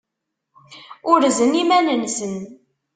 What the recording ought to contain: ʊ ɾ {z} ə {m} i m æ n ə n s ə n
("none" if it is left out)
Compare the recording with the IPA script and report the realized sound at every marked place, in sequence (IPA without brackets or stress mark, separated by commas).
z, n